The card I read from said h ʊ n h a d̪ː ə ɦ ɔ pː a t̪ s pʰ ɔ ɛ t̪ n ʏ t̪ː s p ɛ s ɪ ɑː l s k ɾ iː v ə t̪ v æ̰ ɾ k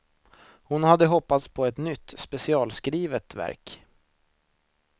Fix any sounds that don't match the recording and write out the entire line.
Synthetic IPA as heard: h ʊ n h a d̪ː ə ɦ ɔ pː a t̪ s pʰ ɔ ɛ t̪ n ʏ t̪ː s p ɛ s ɪ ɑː l s k ɾ iː v ə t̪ v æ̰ ɾ k